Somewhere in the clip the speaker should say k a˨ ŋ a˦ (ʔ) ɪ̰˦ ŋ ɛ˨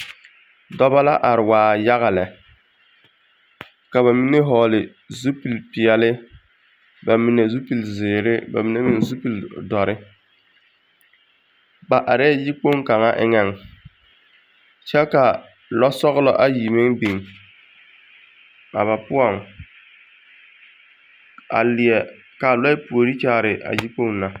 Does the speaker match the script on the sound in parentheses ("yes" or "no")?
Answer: yes